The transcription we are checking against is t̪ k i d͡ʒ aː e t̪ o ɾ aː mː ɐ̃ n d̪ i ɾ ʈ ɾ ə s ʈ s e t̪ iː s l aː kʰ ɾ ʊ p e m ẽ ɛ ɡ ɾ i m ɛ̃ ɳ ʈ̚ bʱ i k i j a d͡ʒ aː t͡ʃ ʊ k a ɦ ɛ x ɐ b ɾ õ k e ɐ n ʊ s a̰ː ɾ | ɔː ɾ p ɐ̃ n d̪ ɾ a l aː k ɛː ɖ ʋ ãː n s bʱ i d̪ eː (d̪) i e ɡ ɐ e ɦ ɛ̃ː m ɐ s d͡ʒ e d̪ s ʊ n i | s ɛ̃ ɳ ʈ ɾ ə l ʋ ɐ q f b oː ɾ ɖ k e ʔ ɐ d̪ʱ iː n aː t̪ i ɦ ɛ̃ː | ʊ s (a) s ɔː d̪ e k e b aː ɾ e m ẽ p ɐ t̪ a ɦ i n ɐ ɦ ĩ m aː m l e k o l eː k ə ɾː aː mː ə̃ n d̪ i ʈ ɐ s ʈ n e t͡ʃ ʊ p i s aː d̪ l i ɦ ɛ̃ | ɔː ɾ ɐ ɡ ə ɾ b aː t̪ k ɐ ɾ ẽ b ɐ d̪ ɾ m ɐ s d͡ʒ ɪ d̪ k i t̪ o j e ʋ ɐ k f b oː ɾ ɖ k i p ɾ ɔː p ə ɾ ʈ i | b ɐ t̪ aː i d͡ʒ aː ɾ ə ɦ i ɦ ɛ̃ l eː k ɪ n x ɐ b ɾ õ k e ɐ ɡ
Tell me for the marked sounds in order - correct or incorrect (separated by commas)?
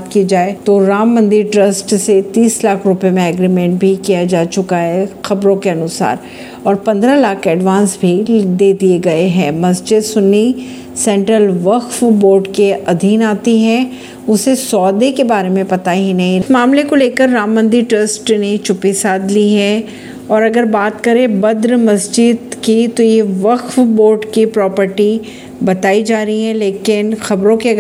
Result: correct, incorrect